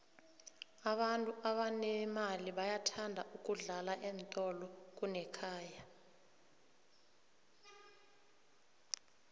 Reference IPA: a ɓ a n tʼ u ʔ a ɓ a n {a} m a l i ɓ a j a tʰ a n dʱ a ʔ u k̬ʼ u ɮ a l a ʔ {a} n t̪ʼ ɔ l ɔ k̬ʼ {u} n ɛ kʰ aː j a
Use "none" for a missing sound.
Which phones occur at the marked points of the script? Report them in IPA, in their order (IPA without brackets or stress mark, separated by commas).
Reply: ɛ, ɛ, u